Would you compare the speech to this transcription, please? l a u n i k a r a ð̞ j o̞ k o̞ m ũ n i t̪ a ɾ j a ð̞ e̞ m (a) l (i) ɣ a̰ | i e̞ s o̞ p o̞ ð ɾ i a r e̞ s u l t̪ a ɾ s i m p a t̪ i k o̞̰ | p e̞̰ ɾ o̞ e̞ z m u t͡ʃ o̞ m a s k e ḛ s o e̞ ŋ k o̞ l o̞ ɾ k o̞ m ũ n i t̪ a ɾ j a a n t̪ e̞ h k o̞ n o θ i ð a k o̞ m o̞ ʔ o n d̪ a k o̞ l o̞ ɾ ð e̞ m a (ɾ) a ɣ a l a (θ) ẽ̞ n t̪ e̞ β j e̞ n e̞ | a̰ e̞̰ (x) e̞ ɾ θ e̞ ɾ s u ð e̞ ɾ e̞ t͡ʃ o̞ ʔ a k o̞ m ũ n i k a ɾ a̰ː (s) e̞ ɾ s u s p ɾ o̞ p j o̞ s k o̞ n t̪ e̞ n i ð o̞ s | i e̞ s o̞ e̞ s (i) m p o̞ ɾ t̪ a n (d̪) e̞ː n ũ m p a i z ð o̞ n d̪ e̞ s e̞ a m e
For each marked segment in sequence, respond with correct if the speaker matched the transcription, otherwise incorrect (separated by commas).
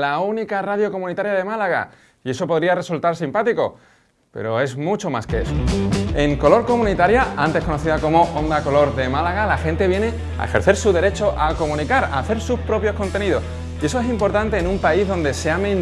correct, incorrect, incorrect, incorrect, correct, incorrect, correct, incorrect